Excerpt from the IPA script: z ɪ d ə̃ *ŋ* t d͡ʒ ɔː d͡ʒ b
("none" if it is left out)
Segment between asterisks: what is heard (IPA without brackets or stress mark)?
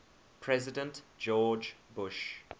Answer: n